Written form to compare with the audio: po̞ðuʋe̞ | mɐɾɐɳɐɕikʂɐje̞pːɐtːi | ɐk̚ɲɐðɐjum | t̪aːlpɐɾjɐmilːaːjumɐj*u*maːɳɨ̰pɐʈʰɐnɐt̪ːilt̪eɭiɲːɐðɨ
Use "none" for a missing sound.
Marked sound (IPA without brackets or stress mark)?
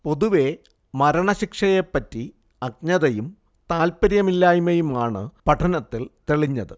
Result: u